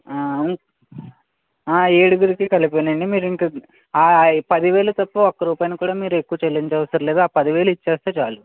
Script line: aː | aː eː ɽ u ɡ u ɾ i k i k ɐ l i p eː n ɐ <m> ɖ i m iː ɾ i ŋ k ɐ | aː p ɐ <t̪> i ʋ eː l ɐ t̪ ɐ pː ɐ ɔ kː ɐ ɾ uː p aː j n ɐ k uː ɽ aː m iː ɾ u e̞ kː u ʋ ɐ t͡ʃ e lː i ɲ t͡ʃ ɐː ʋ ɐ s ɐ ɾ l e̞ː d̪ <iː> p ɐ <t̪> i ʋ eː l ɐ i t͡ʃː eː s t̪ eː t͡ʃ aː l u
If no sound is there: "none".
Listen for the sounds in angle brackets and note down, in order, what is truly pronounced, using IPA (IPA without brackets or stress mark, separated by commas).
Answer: ɳ, d̪, aː, d̪